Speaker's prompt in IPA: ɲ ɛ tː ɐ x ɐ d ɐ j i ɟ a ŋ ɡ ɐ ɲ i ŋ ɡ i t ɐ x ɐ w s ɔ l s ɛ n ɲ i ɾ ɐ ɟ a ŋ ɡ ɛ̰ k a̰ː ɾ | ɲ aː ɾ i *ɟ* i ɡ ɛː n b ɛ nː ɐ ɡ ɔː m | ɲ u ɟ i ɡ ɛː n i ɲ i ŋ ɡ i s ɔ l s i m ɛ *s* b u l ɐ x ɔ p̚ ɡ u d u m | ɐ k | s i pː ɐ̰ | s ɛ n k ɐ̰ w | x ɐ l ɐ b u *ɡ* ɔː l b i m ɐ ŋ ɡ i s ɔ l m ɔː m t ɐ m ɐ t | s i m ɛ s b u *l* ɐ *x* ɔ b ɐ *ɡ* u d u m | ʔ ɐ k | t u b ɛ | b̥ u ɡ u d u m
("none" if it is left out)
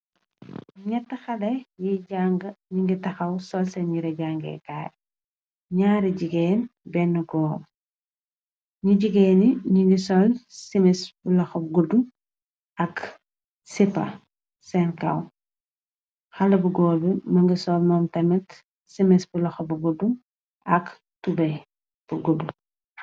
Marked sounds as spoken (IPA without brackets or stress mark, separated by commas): ɟ, s, ɡ, l, x, ɡ